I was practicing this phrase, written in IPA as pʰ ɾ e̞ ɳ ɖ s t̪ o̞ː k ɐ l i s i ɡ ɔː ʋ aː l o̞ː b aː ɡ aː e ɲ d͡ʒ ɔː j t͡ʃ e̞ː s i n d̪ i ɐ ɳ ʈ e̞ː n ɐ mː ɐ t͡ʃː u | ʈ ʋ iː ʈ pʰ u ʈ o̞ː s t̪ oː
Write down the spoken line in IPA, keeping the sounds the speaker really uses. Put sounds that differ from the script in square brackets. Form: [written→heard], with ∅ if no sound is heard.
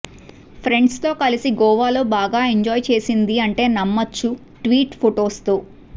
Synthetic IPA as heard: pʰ ɾ e̞ ɳ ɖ s t̪ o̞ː k ɐ l i s i ɡ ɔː ʋ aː l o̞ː b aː ɡ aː e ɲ d͡ʒ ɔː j t͡ʃ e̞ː s i n d̪ i ɐ ɳ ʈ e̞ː n ɐ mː ɐ t͡ʃː u | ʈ ʋ iː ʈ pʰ [u→o] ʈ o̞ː s t̪ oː